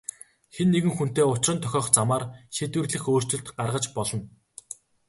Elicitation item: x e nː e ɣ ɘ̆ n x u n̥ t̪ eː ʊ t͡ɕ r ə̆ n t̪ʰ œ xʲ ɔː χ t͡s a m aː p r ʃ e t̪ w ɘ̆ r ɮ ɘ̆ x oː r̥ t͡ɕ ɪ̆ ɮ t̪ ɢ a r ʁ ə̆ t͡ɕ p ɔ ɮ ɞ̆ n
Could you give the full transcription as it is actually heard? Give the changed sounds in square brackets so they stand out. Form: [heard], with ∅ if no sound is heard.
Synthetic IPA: x e nː e ɣ ɘ̆ [ŋ] x u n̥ t̪ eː ʊ t͡ɕ r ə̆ n t̪ʰ œ xʲ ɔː χ t͡s a m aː [∅] r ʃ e t̪ w ɘ̆ r ɮ ɘ̆ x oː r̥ t͡ɕ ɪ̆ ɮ t̪ ɢ a r ʁ ə̆ t͡ɕ p ɔ ɮ ɞ̆ n